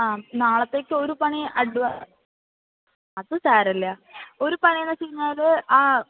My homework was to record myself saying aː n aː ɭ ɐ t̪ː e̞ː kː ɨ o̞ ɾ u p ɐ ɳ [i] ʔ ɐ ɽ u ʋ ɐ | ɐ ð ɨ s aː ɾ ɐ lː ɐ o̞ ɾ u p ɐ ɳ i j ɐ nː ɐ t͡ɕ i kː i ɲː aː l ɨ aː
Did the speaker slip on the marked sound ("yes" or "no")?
no